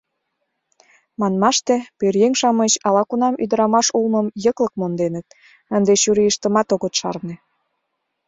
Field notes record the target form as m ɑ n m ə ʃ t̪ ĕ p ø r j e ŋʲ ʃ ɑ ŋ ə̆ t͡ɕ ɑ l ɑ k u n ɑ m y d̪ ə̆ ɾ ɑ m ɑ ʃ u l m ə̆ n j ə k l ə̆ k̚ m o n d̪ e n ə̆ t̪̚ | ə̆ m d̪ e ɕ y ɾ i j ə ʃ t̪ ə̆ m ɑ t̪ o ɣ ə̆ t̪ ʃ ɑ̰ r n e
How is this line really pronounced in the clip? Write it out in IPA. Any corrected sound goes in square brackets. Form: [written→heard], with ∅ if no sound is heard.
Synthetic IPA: m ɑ n m [ə→ɑ] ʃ t̪ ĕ p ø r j e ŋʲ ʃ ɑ [ŋ→m] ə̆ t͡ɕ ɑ l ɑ k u n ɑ m y d̪ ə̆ ɾ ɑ m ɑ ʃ u l m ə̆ [n→m] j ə k l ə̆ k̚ m o n d̪ e n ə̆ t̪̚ | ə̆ [m→n] d̪ e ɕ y ɾ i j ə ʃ t̪ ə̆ m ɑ t̪ o ɣ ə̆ t̪ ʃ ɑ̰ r n e